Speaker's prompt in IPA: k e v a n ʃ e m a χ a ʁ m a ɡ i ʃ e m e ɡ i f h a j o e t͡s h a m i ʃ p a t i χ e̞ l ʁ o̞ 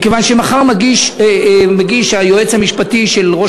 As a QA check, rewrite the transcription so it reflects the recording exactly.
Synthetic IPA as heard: k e v a n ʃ e m a χ a ʁ m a ɡ i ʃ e m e ɡ i ʃ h a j o e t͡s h a m i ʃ p a t i ʃ e̞ l ʁ o̞